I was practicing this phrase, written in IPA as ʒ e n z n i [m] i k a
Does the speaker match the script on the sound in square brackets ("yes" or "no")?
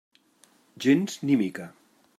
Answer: yes